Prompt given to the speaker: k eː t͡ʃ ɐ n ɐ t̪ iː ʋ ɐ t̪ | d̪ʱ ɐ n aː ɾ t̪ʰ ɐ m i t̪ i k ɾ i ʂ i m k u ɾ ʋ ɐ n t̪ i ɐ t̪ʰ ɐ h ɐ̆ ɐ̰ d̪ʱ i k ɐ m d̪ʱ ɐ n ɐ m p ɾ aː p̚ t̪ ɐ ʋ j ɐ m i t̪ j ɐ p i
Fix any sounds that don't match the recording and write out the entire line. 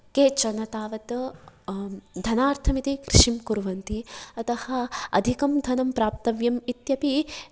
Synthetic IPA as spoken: k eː t͡ʃ ɐ n ɐ t̪ aː ʋ ɐ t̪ | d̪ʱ ɐ n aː ɾ t̪ʰ ɐ m i t̪ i k ɾ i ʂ i m k u ɾ ʋ ɐ n t̪ i ɐ t̪ ɐ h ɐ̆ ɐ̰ d̪ʱ i k ɐ m d̪ʱ ɐ n ɐ m p ɾ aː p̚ t̪ ɐ ʋ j ɐ m i t̪ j ɐ p i